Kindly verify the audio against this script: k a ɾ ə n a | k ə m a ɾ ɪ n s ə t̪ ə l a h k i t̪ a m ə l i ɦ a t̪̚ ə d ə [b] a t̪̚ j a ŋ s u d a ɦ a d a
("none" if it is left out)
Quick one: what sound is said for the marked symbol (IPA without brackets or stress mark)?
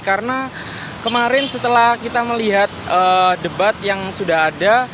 b